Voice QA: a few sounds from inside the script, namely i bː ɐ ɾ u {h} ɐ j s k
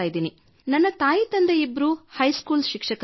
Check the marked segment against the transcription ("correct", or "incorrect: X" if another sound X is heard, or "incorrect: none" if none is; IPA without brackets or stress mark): correct